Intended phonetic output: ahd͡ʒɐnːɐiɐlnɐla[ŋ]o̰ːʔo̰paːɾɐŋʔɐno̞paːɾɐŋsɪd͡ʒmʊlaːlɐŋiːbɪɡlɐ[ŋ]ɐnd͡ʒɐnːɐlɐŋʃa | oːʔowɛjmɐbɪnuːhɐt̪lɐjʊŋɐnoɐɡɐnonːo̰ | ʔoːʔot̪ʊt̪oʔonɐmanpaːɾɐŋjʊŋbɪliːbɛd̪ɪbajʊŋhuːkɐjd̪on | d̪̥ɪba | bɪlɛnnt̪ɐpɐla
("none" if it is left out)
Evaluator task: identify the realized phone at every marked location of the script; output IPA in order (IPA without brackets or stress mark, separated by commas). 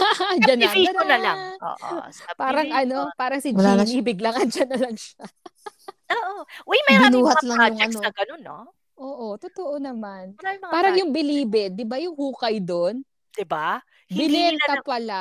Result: ŋ, ŋ